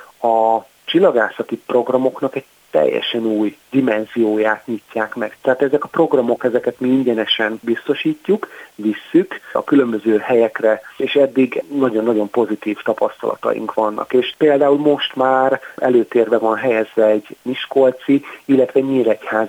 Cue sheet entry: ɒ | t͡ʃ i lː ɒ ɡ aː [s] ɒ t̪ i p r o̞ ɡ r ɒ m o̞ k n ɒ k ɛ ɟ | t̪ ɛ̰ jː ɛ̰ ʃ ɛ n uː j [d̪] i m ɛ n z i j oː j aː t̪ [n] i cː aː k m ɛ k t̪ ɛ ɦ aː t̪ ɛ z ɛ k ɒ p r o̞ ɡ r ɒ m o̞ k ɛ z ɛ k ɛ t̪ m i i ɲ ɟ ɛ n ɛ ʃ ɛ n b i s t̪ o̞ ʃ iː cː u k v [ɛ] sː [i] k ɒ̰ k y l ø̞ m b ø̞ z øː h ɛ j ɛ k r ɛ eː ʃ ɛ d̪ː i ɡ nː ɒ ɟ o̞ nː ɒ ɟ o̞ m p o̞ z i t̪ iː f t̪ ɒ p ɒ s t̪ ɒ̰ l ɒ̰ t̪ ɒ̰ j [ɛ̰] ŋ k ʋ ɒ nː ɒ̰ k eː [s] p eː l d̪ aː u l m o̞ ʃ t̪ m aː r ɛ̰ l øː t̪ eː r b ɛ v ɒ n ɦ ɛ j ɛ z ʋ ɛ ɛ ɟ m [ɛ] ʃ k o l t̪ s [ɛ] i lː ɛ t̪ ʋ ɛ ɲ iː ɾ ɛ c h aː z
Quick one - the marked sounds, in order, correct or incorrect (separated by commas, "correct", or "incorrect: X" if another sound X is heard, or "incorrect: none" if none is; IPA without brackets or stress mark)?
correct, correct, incorrect: ɲ, incorrect: i, incorrect: y, incorrect: ḭ, incorrect: ʃ, incorrect: i, incorrect: i